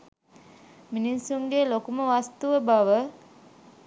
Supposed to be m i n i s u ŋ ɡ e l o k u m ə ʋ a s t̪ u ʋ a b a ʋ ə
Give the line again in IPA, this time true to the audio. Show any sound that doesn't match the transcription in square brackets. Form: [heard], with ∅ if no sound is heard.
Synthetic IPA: m i n i s u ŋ ɡ e l o k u m ə ʋ a s t̪ u ʋ [ə] b a ʋ ə